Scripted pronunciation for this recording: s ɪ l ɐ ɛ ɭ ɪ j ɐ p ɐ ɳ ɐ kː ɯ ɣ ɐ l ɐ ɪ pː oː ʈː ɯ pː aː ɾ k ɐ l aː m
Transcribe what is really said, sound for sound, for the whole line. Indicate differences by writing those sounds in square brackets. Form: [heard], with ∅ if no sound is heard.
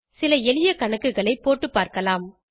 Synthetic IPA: s ɪ l ɐ ɛ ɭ ɪ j ɐ [k] ɐ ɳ ɐ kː ɯ ɣ ɐ [ɭ] ɐ ɪ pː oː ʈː ɯ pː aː ɾ k ɐ l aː m